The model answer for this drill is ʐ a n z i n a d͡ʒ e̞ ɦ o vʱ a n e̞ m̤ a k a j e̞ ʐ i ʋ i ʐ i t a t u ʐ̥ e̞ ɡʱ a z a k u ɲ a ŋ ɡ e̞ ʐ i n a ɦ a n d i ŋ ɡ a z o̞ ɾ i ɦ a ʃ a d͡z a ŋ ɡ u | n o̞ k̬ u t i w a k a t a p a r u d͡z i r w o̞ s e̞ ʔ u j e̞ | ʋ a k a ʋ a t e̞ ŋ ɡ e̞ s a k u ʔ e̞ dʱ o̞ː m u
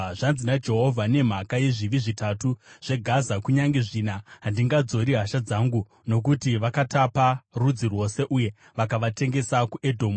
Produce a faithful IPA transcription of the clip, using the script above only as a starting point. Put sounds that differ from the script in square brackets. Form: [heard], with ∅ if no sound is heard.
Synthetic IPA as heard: ʐ a n z i n a d͡ʒ e̞ ɦ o vʱ a n e̞ m̤ a k a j e̞ ʐ i ʋ i ʐ i t a t u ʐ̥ e̞ ɡʱ a z a k u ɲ a ŋ ɡ e̞ ʐ i n a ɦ a n d i ŋ ɡ a [d͡z] o̞ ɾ i ɦ a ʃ a d͡z a ŋ ɡ u | n o̞ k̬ u t i [ʋ] a k a t a p a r u d͡z i r w o̞ s e̞ ʔ u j e̞ | ʋ a k a ʋ a t e̞ ŋ ɡ e̞ s a k u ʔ e̞ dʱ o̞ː m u